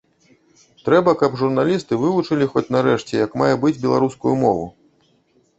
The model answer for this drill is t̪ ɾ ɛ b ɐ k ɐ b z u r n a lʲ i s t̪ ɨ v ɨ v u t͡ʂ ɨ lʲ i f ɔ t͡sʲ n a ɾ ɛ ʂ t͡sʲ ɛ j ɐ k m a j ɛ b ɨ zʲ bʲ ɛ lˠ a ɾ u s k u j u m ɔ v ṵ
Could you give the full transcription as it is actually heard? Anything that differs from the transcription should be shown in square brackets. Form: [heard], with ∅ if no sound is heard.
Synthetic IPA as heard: t̪ ɾ ɛ b ɐ k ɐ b [ʐ] u r n a lʲ i s t̪ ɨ v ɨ v u t͡ʂ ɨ lʲ i [x] ɔ t͡sʲ n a ɾ ɛ ʂ t͡sʲ ɛ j ɐ k m a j ɛ b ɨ [d͡zʲ] bʲ ɛ lˠ a ɾ u s k u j u m ɔ v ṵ